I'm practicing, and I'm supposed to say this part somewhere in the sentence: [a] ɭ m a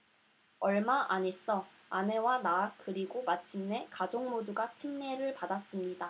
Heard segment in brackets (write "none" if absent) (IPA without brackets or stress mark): ʌ